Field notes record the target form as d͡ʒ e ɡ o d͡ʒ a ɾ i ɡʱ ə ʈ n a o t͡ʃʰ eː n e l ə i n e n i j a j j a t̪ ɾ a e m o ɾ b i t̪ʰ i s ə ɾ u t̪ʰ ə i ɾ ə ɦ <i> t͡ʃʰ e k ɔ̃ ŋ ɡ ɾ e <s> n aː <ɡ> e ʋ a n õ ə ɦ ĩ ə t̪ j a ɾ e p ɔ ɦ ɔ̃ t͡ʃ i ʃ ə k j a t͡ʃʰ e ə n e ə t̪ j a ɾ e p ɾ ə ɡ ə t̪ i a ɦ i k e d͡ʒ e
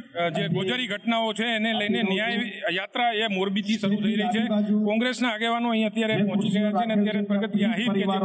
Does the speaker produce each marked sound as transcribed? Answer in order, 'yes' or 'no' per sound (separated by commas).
yes, yes, yes